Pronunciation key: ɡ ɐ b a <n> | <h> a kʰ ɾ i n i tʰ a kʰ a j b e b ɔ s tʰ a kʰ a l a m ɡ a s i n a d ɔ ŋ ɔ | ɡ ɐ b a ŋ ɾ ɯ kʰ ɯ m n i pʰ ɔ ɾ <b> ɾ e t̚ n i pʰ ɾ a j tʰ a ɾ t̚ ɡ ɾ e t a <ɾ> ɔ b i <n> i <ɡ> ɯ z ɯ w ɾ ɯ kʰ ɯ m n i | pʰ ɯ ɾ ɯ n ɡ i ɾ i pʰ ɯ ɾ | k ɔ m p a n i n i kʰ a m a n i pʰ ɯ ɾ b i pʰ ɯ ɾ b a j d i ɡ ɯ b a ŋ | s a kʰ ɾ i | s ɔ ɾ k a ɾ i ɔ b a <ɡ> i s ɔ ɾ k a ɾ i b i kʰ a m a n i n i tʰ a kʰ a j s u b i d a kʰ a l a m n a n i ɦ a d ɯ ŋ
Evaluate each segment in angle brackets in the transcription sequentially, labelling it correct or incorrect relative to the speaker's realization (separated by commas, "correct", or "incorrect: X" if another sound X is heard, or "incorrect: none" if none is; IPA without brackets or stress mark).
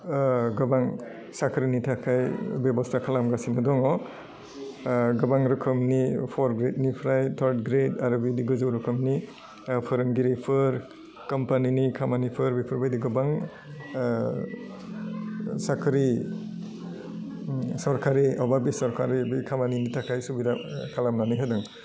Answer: incorrect: ŋ, incorrect: s, incorrect: ɡ, correct, incorrect: d, correct, incorrect: b